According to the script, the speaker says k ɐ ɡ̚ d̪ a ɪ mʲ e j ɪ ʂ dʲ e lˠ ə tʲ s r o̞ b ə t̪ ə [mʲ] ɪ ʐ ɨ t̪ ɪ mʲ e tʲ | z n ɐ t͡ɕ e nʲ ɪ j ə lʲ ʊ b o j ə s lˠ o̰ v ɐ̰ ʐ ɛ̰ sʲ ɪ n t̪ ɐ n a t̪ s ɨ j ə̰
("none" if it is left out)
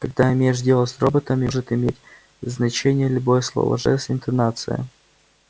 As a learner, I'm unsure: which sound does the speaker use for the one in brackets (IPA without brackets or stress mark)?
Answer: mʲ